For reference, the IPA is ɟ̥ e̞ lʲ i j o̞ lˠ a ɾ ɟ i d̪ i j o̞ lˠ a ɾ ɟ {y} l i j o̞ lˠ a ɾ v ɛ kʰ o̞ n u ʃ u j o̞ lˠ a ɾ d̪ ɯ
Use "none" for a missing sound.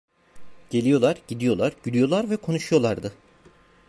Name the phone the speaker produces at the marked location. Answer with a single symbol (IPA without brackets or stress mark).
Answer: y